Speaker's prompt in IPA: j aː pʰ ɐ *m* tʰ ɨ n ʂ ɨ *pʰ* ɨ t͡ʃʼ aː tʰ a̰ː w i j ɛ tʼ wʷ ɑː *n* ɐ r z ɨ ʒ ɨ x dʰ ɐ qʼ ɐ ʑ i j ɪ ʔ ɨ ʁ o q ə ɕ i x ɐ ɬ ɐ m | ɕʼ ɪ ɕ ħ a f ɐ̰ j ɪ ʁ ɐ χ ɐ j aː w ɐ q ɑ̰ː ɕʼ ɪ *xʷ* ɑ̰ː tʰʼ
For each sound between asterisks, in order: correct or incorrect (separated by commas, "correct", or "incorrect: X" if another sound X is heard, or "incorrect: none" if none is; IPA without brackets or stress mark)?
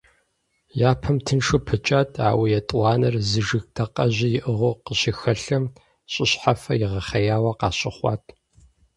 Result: correct, correct, correct, incorrect: χʷ